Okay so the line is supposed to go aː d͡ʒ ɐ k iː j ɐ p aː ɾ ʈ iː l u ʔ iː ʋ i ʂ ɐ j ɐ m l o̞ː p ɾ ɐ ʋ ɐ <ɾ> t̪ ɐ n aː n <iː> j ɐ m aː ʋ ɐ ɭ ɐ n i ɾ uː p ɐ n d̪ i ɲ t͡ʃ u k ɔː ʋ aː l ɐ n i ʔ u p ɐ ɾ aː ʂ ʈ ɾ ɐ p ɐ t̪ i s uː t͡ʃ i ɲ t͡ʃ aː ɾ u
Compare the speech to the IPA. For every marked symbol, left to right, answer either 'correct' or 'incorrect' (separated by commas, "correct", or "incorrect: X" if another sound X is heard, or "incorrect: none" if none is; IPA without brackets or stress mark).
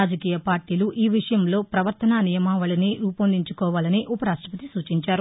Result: correct, incorrect: i